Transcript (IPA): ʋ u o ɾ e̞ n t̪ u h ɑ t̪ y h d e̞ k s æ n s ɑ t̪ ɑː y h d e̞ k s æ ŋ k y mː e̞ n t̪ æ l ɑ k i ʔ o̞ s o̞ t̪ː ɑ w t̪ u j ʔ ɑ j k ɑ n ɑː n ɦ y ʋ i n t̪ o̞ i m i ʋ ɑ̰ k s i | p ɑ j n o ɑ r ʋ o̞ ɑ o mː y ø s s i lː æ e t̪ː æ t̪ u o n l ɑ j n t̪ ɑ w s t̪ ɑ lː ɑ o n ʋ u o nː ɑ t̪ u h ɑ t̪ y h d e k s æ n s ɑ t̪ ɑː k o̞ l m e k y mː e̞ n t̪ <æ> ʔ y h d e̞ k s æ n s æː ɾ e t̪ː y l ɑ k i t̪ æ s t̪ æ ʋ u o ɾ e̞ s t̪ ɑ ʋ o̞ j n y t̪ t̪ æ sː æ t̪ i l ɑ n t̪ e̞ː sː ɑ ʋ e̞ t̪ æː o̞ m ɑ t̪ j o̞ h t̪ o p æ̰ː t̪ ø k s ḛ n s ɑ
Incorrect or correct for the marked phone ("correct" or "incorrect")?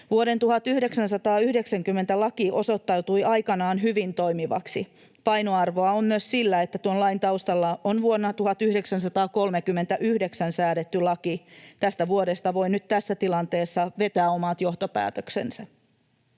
correct